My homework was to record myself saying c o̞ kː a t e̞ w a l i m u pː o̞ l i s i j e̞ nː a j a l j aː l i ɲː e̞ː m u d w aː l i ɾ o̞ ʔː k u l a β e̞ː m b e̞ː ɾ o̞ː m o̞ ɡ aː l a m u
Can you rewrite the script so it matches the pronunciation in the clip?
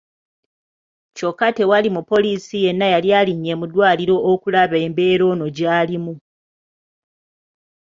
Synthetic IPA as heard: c o̞ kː a t e̞ w a l i m u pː o̞ l i s i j e̞ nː a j a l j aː l i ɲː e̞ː m u d w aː l i ɾ o̞ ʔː k u l a β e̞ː m b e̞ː ɾ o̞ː n o̞ ɟ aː l i m u